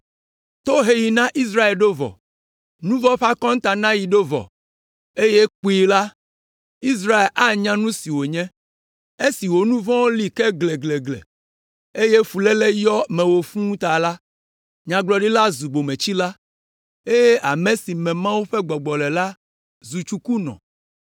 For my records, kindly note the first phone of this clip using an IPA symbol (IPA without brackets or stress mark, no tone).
t̪